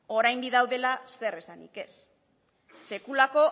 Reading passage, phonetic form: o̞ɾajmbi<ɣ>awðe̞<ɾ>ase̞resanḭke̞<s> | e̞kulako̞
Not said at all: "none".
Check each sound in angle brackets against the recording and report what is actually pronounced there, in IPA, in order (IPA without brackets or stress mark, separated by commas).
ð, l, sː